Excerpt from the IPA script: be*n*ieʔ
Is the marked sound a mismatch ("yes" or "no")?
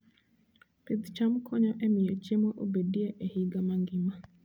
yes